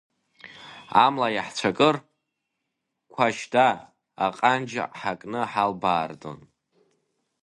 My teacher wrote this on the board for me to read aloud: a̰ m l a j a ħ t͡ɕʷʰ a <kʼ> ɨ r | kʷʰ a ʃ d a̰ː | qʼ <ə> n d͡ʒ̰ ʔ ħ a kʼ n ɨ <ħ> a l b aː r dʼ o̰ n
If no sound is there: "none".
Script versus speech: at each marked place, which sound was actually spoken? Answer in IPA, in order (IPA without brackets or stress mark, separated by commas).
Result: kʼ, a, ħ